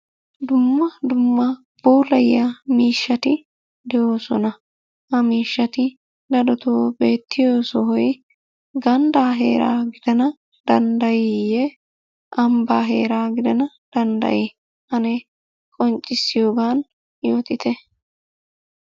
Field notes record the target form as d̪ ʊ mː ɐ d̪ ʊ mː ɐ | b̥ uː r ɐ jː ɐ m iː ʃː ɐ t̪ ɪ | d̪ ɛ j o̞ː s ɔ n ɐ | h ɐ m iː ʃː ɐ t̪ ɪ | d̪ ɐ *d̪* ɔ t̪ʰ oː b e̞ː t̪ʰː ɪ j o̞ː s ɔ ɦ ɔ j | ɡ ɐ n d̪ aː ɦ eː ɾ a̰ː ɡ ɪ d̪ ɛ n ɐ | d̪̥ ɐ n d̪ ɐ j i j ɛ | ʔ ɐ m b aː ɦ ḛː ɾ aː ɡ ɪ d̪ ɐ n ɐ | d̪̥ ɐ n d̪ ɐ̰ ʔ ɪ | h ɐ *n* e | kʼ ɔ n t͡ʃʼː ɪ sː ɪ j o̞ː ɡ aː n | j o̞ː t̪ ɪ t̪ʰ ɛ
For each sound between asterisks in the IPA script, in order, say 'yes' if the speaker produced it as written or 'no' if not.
yes, yes

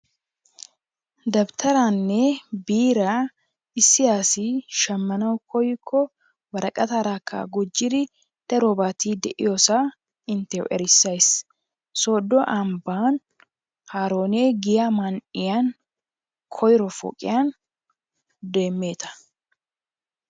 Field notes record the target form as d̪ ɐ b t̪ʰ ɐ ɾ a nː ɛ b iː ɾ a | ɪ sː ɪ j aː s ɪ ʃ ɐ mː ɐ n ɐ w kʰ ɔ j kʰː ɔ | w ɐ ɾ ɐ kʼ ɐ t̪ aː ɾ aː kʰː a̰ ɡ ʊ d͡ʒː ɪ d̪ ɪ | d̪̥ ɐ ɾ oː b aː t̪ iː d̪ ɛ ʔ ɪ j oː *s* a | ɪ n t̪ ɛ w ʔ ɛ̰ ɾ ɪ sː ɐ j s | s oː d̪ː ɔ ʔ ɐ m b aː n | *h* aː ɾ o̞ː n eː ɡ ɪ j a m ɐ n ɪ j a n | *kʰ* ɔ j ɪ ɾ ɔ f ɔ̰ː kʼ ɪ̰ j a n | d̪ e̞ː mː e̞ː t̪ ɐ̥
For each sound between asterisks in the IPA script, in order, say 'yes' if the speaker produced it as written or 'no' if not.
yes, yes, yes

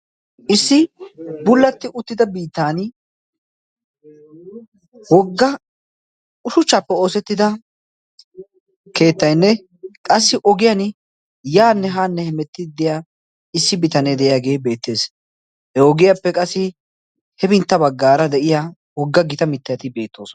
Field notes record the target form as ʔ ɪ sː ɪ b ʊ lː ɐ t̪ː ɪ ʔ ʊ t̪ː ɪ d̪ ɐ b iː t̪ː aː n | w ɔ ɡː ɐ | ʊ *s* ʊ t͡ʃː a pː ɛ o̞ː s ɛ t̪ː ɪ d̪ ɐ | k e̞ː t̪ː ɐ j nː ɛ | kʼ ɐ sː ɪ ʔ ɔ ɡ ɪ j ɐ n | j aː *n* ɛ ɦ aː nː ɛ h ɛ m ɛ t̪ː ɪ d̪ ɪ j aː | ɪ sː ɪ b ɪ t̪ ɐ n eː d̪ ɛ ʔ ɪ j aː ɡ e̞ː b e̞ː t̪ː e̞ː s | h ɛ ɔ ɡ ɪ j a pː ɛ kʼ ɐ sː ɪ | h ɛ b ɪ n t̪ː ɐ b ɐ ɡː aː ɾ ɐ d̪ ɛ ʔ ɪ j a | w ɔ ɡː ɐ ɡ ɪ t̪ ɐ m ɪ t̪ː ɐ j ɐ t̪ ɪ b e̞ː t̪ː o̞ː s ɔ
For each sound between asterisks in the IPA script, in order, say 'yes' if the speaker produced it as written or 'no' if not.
no, no

